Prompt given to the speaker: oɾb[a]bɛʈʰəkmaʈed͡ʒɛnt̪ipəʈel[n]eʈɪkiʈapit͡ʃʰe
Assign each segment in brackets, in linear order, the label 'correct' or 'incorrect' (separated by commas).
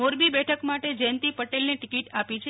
incorrect, correct